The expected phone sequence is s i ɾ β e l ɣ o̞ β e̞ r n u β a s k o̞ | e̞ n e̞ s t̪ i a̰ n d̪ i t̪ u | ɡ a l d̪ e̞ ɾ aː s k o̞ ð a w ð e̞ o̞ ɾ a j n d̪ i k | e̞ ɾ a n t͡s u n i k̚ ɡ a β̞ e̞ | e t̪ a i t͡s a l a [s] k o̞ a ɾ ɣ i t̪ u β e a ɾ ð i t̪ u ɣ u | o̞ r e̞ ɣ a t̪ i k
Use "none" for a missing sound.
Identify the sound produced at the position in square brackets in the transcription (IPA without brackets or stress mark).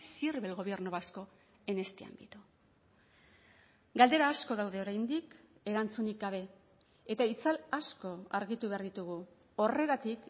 s